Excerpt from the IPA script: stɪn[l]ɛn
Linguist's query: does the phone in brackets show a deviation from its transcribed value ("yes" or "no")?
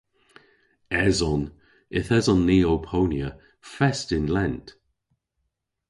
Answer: no